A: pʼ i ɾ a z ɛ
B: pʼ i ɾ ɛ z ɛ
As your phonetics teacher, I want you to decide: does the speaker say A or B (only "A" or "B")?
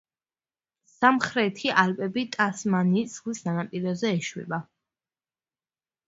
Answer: B